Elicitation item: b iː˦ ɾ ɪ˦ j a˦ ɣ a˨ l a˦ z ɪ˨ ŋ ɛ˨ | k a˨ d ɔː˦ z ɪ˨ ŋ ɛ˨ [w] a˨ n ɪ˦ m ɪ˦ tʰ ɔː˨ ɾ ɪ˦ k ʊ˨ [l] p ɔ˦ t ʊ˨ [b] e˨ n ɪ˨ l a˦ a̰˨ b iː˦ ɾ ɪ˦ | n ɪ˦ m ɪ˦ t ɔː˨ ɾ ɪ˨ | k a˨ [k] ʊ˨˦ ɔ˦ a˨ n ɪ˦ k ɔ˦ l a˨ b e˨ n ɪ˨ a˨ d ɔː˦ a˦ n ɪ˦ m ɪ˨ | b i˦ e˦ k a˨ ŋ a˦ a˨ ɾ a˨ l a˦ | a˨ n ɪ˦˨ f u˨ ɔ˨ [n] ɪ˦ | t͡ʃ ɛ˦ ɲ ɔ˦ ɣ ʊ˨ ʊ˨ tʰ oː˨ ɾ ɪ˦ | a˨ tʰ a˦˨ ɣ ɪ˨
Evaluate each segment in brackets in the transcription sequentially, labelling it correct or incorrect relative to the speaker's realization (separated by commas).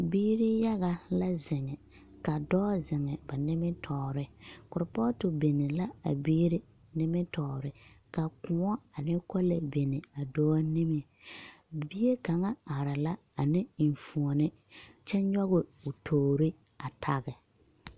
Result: incorrect, incorrect, correct, correct, correct